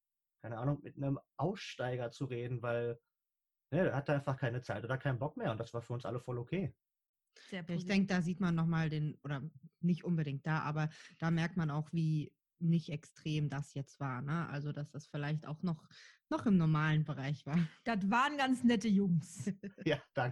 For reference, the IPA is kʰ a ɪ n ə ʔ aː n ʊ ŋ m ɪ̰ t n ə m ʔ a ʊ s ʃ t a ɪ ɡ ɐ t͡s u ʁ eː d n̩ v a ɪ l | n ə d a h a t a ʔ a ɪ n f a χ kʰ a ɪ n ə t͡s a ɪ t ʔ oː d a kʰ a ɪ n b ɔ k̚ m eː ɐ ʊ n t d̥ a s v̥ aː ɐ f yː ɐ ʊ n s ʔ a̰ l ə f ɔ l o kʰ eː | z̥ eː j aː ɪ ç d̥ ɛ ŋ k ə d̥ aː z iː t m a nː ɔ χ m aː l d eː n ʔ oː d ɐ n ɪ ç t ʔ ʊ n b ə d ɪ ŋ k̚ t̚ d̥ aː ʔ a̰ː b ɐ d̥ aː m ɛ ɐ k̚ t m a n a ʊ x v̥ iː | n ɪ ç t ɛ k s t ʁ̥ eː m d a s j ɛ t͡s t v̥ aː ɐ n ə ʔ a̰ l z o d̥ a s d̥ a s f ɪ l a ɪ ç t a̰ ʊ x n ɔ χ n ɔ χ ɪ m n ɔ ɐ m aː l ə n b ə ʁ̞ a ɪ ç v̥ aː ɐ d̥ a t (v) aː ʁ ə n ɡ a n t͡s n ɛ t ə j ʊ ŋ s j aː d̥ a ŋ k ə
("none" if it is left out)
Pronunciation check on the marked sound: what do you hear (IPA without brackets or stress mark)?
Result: v